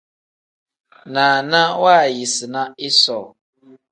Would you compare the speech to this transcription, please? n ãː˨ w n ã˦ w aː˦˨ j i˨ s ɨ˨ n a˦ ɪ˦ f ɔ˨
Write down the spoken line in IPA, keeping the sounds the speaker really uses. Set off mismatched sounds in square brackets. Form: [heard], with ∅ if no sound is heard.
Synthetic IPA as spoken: n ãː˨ [∅] n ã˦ w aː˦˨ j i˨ s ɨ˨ n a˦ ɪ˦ [s] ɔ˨